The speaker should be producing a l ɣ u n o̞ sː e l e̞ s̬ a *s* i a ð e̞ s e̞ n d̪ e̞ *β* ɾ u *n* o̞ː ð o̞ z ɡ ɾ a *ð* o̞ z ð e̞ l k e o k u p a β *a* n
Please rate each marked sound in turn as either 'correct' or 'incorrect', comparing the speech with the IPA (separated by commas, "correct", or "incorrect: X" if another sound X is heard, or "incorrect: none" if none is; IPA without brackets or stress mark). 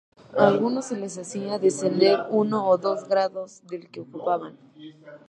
correct, incorrect: none, correct, correct, correct